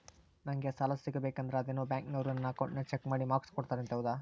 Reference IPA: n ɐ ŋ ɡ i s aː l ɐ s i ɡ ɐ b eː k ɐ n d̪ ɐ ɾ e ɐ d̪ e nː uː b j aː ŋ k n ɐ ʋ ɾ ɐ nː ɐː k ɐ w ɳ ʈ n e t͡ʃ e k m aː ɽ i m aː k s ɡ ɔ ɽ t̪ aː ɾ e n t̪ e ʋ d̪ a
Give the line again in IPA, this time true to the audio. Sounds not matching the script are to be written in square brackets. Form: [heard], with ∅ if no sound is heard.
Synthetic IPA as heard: n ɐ ŋ ɡ [e] s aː l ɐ s i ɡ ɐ b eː k ɐ n d̪ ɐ ɾ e ɐ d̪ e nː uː b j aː ŋ k n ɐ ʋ ɾ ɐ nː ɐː k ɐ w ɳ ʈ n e t͡ʃ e k m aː ɽ i m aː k s [k] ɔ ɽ t̪ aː ɾ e n t̪ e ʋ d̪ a